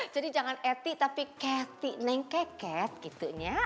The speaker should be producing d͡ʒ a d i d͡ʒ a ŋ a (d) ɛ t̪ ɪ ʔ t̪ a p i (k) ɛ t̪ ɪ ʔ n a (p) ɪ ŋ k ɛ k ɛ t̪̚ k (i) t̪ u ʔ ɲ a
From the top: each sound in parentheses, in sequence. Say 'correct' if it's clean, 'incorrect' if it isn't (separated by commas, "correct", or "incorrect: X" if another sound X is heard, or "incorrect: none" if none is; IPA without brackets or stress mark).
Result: incorrect: n, correct, incorrect: none, correct